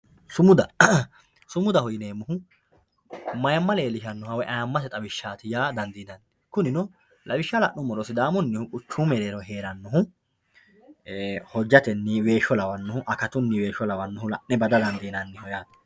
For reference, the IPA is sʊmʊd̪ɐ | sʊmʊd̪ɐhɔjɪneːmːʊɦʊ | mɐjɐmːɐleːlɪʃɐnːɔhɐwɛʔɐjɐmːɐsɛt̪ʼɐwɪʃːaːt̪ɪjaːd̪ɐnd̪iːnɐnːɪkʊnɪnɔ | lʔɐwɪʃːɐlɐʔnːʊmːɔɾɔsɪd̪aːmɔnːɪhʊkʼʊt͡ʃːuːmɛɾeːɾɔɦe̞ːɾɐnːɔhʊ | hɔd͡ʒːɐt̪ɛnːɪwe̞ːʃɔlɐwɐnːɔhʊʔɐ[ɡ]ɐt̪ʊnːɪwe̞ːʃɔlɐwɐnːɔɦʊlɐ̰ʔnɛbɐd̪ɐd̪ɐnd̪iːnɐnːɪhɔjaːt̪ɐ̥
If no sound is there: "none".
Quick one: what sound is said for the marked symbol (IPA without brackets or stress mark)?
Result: k